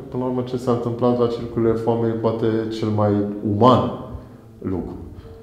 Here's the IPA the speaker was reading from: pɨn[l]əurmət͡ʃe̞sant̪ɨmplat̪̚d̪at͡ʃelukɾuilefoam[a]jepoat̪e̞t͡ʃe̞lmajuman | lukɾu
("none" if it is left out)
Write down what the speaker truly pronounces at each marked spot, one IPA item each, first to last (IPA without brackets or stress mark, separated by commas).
l, e